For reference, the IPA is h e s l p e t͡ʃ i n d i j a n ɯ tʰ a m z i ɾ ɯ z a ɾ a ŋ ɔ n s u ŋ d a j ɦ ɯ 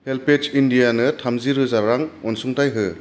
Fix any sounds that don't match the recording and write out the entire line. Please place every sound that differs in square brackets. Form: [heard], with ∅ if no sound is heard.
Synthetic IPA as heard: h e [∅] l p e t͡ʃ i n d i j a n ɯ tʰ a m z i ɾ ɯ z a ɾ a ŋ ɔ n s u ŋ [t] a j ɦ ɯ